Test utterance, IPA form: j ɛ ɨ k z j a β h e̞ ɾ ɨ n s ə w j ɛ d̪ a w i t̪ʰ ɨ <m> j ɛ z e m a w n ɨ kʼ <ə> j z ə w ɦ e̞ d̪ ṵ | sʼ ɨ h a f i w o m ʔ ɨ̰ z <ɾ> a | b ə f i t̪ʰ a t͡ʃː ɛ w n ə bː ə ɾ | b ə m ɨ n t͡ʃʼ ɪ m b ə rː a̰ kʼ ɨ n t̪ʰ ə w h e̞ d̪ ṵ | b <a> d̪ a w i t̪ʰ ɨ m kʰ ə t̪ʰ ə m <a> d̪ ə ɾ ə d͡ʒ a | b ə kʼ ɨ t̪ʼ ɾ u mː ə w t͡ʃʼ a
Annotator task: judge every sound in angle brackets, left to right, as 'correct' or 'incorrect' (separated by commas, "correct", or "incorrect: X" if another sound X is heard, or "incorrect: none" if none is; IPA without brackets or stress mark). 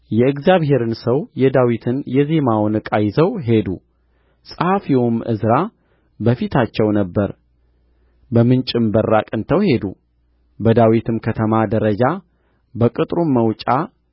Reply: incorrect: n, incorrect: a, correct, incorrect: ə, correct